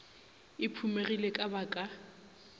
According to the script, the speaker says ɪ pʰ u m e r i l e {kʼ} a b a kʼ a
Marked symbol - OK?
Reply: yes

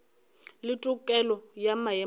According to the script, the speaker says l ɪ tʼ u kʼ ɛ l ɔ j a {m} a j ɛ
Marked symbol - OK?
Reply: yes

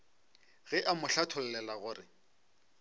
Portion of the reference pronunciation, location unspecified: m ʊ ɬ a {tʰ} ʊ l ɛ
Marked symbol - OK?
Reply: yes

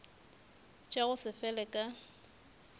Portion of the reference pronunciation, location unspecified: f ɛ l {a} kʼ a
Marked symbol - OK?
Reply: no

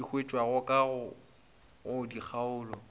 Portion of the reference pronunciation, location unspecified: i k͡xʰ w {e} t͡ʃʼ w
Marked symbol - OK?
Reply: yes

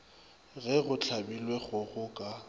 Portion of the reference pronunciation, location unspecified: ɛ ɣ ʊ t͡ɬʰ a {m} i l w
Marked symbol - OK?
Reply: no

